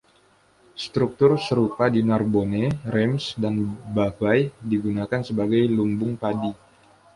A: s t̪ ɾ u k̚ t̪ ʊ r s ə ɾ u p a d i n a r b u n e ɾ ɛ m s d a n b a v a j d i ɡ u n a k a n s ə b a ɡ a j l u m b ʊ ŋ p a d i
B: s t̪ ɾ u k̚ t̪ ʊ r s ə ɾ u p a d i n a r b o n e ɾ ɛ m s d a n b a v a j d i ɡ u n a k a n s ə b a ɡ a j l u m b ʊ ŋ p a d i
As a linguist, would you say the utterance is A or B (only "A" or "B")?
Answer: B